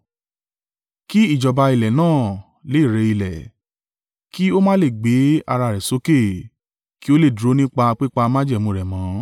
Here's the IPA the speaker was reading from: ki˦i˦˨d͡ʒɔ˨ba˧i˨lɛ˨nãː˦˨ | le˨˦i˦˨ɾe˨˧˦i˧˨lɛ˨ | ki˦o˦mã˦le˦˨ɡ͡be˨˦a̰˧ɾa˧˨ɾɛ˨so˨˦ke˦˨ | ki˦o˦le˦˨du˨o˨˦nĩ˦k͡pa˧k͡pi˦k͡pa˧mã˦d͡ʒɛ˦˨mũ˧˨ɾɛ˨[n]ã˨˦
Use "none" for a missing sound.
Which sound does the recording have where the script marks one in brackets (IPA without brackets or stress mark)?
m